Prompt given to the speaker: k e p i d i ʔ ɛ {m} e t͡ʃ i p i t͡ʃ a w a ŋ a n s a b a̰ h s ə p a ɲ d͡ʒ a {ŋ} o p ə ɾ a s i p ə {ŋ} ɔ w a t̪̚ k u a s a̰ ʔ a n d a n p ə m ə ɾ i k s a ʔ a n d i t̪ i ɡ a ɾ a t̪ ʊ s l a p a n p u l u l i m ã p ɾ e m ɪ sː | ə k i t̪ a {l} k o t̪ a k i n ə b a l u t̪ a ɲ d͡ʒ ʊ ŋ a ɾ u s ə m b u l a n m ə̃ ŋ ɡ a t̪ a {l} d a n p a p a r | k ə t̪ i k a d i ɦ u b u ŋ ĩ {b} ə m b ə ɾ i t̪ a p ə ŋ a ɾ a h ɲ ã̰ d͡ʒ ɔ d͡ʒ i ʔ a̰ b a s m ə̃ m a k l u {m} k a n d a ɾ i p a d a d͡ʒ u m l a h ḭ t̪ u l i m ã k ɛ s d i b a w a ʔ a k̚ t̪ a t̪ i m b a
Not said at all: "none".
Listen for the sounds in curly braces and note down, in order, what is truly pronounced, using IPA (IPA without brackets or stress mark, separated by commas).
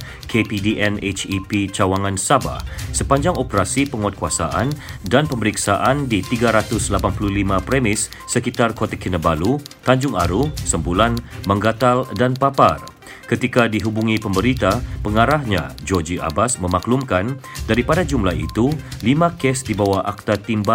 n, ŋ, ŋ, r, l, p, m